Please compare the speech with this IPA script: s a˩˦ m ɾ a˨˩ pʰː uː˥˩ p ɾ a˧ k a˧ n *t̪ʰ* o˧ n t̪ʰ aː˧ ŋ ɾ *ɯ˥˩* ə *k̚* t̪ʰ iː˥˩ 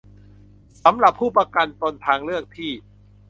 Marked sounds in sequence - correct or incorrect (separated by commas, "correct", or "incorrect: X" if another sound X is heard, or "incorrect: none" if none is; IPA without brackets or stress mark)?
incorrect: t̪, correct, correct